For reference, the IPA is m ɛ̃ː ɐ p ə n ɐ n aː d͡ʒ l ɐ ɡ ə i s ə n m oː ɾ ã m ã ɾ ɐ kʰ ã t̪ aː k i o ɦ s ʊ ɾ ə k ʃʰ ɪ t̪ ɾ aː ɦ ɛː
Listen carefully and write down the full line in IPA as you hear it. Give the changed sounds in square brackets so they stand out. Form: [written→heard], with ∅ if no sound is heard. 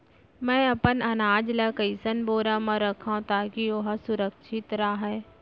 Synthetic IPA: m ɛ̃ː ɐ p ə n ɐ n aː d͡ʒ l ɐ [ɡ→k] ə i s ə n [m→b] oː ɾ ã m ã ɾ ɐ kʰ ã t̪ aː k i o ɦ s ʊ ɾ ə k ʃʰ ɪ t̪ ɾ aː ɦ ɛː